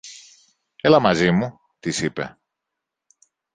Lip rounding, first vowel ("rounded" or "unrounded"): unrounded